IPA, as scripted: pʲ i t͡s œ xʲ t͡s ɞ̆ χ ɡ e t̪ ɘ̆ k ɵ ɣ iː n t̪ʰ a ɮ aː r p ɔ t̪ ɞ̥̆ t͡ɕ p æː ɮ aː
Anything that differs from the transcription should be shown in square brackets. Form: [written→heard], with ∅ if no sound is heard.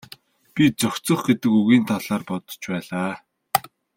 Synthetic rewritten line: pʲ i t͡s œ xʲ t͡s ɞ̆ χ ɡ e t̪ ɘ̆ k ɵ ɣ iː n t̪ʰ a ɮ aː r p ɔ t̪ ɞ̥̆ t͡ɕ p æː ɮ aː